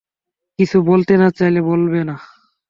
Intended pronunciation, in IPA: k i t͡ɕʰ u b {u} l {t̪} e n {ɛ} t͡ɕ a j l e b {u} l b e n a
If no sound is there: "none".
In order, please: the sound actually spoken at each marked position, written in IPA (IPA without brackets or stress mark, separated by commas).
o, t̪, a, o